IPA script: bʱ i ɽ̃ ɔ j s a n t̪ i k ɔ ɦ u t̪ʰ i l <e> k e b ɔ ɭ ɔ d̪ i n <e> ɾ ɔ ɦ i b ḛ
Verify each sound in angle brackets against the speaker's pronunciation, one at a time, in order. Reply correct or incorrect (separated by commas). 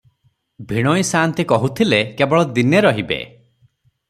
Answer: correct, correct